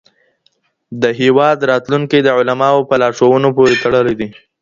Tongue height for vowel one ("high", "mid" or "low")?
mid